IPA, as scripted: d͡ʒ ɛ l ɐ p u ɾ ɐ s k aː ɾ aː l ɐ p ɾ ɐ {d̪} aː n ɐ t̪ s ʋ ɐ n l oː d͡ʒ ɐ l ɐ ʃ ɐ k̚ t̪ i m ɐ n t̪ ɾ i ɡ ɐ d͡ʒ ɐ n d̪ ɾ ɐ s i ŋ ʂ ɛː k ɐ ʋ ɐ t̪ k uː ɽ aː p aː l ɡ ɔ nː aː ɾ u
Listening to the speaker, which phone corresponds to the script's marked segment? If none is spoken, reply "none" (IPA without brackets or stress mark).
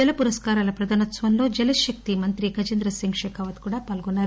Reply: d̪